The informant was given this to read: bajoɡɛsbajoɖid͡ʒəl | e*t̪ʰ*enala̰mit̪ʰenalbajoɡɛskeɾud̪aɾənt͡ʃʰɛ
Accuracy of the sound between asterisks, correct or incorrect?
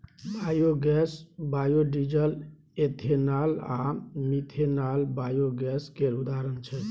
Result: correct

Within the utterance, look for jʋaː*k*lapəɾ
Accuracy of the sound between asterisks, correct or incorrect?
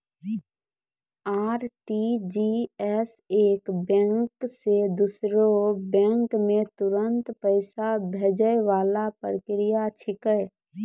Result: incorrect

